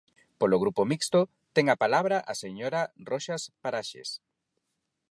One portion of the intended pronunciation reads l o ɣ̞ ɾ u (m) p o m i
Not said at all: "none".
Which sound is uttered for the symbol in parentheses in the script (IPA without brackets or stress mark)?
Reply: none